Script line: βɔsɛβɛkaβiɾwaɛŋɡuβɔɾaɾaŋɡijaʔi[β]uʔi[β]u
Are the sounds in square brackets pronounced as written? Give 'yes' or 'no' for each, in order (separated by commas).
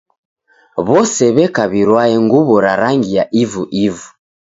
no, no